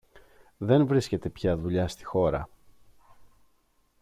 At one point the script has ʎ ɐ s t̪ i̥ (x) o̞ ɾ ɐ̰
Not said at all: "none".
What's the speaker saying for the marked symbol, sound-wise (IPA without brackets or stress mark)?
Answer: x